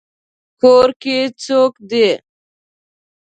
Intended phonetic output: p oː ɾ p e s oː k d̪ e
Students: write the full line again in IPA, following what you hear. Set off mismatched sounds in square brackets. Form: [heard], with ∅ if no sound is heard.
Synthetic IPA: [k] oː ɾ [k] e [t͡s] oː k d̪ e